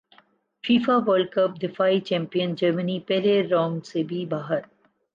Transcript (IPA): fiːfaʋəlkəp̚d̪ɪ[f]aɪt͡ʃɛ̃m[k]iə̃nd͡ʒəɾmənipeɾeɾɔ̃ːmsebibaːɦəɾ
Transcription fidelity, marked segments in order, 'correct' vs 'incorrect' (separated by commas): correct, incorrect